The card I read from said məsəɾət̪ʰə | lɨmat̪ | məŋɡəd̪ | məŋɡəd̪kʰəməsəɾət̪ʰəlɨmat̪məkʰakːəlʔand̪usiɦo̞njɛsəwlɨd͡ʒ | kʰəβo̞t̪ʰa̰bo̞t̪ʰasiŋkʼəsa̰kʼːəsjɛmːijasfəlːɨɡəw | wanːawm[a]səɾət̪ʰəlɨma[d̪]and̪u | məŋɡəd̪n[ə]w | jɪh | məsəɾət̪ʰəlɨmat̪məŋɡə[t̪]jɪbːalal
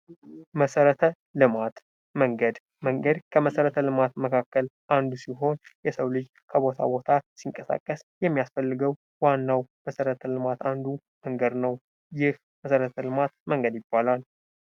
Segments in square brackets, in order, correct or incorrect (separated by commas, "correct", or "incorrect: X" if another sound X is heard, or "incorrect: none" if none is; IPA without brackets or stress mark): incorrect: ə, incorrect: t̪, correct, incorrect: d̪